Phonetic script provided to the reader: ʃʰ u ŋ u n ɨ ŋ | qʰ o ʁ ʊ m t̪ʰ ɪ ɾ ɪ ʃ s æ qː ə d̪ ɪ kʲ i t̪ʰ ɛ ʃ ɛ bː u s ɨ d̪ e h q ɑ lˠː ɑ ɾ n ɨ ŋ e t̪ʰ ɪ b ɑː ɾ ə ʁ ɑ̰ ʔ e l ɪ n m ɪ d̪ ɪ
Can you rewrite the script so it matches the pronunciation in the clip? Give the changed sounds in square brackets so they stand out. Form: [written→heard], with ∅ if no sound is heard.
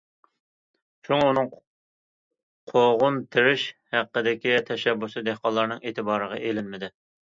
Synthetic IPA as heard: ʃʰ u ŋ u n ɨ ŋ | qʰ o ʁ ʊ [m→n] t̪ʰ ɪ ɾ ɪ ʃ [s→h] æ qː ə d̪ ɪ kʲ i t̪ʰ ɛ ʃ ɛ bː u s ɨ d̪ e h q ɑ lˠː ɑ ɾ n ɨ ŋ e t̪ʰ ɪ b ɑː ɾ ə ʁ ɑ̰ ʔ e l ɪ n m ɪ d̪ ɪ

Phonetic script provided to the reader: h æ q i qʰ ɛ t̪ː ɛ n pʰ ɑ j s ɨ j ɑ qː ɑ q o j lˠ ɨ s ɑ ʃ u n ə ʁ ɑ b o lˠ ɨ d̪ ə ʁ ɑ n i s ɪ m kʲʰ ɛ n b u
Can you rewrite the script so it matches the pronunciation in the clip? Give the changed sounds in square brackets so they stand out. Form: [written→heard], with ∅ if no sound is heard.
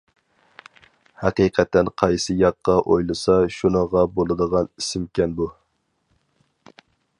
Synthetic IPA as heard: h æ q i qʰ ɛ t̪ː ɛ n [pʰ→qʰ] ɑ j s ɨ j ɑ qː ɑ [q→ʔ] o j lˠ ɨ s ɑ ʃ u n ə ʁ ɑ b o lˠ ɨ d̪ ə ʁ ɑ n i s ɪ m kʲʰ ɛ n b u

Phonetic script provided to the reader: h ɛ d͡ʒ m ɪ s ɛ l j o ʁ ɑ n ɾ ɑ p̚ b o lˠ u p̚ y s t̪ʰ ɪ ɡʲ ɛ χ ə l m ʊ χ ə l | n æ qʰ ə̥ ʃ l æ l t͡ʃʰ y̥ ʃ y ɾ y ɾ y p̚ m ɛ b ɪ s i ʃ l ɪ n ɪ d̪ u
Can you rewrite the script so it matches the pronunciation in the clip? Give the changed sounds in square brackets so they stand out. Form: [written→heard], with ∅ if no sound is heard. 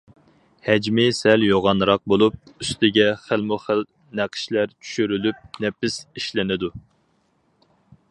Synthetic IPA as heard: h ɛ d͡ʒ m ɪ s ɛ l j o ʁ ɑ n ɾ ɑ [p̚→q̚] b o lˠ u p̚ y s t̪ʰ ɪ ɡʲ ɛ χ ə l m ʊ χ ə l | n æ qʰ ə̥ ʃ l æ [l→ɾ] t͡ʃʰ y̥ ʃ y ɾ y [ɾ→l] y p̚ [m→n] ɛ [b→p] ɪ s i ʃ l ɪ n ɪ d̪ u

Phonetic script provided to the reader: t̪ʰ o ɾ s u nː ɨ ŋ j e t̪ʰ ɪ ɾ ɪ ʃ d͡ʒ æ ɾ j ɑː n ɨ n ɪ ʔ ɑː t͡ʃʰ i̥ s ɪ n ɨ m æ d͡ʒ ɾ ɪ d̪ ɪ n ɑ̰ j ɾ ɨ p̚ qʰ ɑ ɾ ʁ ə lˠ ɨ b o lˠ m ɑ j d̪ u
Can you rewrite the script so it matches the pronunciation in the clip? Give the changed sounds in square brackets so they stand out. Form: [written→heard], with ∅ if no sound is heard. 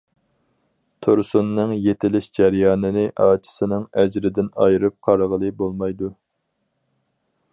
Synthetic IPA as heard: t̪ʰ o ɾ s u nː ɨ ŋ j e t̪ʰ ɪ [ɾ→l] ɪ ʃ d͡ʒ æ ɾ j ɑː n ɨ n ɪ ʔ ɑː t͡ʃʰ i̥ s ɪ n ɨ [m→ŋ] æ d͡ʒ ɾ ɪ d̪ ɪ n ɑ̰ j ɾ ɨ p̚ qʰ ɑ ɾ ʁ ə lˠ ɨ b o lˠ m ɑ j d̪ u

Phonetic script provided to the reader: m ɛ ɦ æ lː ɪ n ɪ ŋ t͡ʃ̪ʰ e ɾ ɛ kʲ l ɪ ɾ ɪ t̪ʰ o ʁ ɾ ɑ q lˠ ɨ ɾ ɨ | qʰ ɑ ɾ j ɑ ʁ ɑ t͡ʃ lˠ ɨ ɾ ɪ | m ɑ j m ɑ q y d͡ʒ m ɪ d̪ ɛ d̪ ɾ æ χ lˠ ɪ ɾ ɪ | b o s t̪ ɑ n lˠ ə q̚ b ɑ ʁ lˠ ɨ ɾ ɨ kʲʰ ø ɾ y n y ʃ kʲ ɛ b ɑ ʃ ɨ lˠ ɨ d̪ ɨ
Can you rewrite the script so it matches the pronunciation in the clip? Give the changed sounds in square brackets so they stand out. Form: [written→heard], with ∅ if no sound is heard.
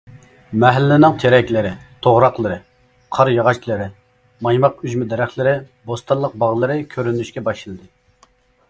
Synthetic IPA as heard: m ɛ ɦ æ lː ɪ n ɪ ŋ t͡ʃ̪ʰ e ɾ ɛ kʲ l ɪ ɾ ɪ t̪ʰ o ʁ ɾ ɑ q lˠ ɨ ɾ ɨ | qʰ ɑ ɾ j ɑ ʁ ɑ t͡ʃ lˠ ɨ ɾ ɪ | m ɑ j m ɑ q y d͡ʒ m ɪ d̪ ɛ [d̪→∅] ɾ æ χ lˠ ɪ ɾ ɪ | b o s t̪ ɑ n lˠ ə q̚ b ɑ ʁ lˠ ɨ ɾ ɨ kʲʰ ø ɾ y n y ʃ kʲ ɛ b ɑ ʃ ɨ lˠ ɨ d̪ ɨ

